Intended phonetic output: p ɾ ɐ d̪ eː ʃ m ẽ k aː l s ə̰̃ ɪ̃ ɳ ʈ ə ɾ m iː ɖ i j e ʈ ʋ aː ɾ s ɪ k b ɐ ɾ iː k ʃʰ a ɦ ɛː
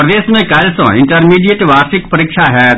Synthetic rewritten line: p ɾ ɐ d̪ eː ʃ m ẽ k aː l s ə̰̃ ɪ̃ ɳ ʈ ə ɾ m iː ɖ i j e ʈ ʋ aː ɾ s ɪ k p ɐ ɾ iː k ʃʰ a ɦ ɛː

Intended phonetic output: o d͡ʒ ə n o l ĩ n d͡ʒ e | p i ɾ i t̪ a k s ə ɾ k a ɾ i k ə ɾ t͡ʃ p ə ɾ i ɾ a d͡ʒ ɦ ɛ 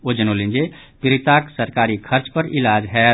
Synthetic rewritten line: o d͡ʒ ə n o l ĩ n d͡ʒ e | p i ɾ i t̪ a k s ə ɾ k a ɾ i kʰ ə ɾ t͡ʃ p ə ɾ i l a d͡ʒ ɦ ɛ

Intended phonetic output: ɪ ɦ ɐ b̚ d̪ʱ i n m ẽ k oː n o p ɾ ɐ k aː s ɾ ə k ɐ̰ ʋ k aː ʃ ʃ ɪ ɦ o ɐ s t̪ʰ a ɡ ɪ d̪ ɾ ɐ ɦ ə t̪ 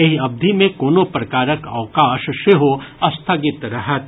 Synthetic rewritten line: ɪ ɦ ɐ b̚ d̪ʱ i m ẽ k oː n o p ɾ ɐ k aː ɾ ə k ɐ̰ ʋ k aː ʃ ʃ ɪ ɦ o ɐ s t̪ʰ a ɡ ɪ t̪ ɾ ɐ ɦ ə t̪

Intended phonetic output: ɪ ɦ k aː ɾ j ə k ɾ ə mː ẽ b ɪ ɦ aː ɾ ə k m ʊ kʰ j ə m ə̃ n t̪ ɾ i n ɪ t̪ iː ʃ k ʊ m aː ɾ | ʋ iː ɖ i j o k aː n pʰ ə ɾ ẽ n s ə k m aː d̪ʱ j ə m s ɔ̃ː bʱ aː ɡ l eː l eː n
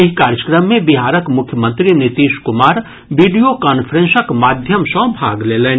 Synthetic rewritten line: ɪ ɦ k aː ɾ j ə k ɾ ə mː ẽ b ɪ ɦ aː ɾ ə k m ʊ kʰ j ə m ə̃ n t̪ ɾ i n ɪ t̪ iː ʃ k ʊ m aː ɾ | ʋ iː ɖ i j o k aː n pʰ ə ɾ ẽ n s ə k m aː d̪ʱ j ə m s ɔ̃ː bʱ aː ɡ l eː l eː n

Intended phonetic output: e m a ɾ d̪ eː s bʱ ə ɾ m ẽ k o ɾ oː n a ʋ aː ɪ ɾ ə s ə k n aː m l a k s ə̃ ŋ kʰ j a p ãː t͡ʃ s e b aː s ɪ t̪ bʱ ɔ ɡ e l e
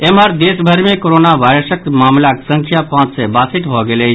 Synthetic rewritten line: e m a ɾ d̪ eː s bʱ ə ɾ m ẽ k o ɾ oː n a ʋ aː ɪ ɾ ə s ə k m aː m l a k s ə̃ ŋ kʰ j a p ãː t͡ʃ s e b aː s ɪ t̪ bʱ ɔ ɡ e l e

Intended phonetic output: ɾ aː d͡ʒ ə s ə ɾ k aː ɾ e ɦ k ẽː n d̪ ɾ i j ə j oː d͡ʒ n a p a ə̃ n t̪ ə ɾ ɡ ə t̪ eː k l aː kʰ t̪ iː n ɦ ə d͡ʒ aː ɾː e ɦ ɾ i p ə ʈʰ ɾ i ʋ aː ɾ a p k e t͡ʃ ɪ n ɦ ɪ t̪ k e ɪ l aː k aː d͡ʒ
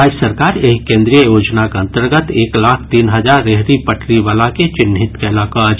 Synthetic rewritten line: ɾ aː d͡ʒ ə s ə ɾ k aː ɾ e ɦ k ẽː n d̪ ɾ i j ə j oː d͡ʒ n a k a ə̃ n t̪ ə ɾ ɡ ə t̪ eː k l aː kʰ t̪ iː n ɦ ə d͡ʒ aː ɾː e ɦ ɾ i p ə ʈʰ ɾ i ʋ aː l a k e t͡ʃ ɪ n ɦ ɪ t̪ k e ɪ l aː k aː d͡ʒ

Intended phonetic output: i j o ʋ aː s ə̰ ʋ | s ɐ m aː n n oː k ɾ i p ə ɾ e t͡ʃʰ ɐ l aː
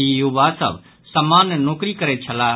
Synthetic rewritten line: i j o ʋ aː s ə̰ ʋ | s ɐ m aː n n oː k ɾ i k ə ɾ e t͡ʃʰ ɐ l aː

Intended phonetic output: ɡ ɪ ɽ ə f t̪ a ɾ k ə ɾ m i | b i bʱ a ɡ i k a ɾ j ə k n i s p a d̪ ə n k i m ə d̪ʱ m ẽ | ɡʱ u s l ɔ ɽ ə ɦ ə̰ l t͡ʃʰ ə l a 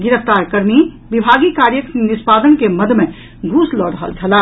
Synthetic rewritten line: ɡ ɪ ɾ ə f t̪ a ɾ k ə ɾ m i | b i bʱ a ɡ i k a ɾ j ə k n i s p a d̪ ə n k e m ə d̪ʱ m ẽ | ɡʱ u s l ɔ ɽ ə ɦ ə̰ l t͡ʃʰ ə l a

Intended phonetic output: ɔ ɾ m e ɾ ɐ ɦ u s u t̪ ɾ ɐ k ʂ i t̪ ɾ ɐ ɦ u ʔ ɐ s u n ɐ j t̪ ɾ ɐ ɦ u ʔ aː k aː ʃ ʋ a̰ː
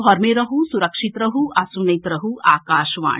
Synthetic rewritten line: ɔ ɾ m e ɾ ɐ ɦ u s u ɾ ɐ k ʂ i t̪ ɾ ɐ ɦ u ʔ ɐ s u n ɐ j t̪ ɾ ɐ ɦ u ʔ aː k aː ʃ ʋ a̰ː

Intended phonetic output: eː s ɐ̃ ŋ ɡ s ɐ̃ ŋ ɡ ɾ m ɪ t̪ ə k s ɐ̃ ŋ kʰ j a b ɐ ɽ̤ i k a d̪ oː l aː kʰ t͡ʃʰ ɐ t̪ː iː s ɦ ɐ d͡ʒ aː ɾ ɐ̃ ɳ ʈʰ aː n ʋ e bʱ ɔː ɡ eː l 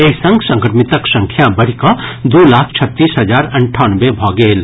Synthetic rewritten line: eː s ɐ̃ ŋ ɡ s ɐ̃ ŋ k ɾ m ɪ t̪ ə k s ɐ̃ ŋ kʰ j a b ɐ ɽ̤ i k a d̪ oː l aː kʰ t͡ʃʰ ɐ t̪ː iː s ɦ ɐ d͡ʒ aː ɾ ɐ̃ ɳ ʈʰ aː n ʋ e bʱ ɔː ɡ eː l

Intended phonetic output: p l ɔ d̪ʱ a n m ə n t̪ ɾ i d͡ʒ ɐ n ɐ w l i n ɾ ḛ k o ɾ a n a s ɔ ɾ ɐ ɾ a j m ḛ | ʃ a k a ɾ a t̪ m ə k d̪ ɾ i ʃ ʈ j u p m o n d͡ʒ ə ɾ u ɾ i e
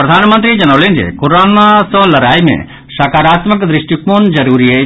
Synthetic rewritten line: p ɾ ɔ d̪ʱ a n m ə n t̪ ɾ i d͡ʒ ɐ n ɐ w l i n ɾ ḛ k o ɾ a n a s ɔ l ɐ ɾ a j m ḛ | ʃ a k a ɾ a t̪ m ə k d̪ ɾ i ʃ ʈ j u k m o n d͡ʒ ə ɾ u ɾ i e

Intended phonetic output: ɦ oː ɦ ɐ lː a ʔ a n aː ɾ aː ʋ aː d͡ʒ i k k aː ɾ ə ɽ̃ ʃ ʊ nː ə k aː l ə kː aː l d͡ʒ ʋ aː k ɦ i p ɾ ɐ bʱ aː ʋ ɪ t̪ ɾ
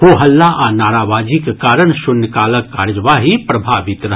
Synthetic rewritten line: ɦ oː ɦ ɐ lː a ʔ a n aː ɾ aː ʋ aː d͡ʒ i k k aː ɾ ə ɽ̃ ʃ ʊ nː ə k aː l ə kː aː ɾ d͡ʒ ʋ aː ɦ i p ɾ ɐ bʱ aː ʋ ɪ t̪ ɾ

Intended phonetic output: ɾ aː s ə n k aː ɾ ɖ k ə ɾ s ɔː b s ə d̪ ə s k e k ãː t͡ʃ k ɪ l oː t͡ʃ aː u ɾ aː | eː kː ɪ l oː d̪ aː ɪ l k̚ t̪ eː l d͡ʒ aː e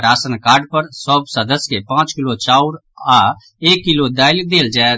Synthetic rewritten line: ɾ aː s ə n k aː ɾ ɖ p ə ɾ s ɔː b s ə d̪ ə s k e p ãː t͡ʃ k ɪ l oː t͡ʃ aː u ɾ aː | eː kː ɪ l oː d̪ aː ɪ l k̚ d̪ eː l d͡ʒ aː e

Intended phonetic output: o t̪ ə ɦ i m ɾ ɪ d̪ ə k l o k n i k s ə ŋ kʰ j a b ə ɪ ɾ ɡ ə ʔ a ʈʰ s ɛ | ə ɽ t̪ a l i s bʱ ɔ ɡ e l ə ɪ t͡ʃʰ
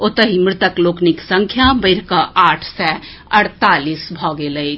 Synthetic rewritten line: o t̪ ə ɦ i m ɾ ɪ t̪ ə k l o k n i k s ə ŋ kʰ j a b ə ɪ ɾ k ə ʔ a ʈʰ s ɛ | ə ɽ t̪ a l i s bʱ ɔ ɡ e l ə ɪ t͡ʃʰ

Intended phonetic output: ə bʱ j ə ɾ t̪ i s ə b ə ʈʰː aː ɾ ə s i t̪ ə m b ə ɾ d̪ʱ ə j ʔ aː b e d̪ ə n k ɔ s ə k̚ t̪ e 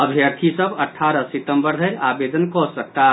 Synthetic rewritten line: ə bʱ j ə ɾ t̪ʰ i s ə b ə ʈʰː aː ɾ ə s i t̪ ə m b ə ɾ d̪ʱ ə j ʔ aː b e d̪ ə n k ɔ s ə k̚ t̪ a

